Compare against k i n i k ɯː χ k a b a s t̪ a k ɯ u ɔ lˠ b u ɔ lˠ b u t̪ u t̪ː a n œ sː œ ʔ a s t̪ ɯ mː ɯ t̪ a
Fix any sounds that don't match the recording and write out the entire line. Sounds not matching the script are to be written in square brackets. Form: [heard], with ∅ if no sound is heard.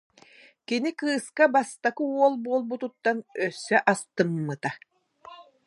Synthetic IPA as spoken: k i n i k ɯː [s] k a b a s t̪ a k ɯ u ɔ lˠ b u ɔ lˠ b u t̪ u t̪ː a n œ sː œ ʔ a s t̪ ɯ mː ɯ t̪ a

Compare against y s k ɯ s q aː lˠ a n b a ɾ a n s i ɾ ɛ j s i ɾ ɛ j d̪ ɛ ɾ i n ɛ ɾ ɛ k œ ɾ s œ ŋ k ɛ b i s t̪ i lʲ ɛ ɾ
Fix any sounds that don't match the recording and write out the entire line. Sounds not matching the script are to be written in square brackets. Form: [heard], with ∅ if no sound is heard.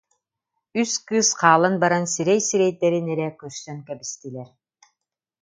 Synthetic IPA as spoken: y s k ɯ s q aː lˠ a n b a ɾ a n s i ɾ ɛ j s i ɾ ɛ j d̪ ɛ ɾ i n ɛ ɾ ɛ k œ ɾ s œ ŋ k ɛ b i s t̪ i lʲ ɛ ɾ

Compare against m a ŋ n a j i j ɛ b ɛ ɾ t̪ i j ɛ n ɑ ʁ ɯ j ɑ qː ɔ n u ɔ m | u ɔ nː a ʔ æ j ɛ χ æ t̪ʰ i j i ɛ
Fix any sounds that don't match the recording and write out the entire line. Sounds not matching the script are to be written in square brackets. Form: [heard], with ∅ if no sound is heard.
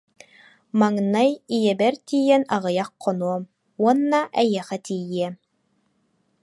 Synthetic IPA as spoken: m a ŋ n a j i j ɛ b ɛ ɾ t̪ i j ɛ n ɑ ʁ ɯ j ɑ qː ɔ n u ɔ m | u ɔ nː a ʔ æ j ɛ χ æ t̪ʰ i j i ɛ

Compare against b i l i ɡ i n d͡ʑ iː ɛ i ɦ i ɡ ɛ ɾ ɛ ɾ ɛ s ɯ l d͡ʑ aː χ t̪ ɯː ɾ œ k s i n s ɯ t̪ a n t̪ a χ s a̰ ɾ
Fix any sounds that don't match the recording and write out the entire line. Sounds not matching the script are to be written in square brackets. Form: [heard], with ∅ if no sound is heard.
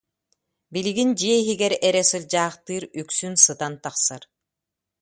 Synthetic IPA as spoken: b i l i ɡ i n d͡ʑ [i] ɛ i ɦ i ɡ ɛ ɾ ɛ ɾ ɛ s ɯ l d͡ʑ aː χ t̪ ɯː ɾ [y] k s [y] n s ɯ t̪ a n t̪ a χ s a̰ ɾ

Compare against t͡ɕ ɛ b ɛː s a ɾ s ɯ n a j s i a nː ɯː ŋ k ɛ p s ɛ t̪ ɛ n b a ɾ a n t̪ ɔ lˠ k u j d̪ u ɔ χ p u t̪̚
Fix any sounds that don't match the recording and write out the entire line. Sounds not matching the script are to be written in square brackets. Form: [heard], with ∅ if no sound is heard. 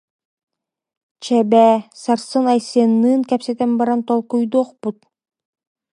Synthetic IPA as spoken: t͡ɕ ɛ b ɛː s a ɾ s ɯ n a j s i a nː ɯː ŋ k ɛ p s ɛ t̪ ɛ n b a ɾ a n t̪ ɔ lˠ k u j d̪ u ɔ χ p u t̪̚

